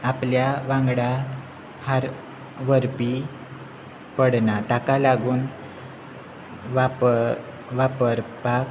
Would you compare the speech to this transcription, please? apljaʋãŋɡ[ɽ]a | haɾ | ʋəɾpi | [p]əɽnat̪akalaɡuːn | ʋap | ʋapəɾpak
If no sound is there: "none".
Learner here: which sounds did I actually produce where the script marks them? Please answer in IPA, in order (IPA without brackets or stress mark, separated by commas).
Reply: ɽ, p